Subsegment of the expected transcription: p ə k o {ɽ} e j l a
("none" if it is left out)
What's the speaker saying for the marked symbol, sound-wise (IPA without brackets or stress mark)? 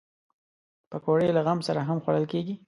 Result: ɽ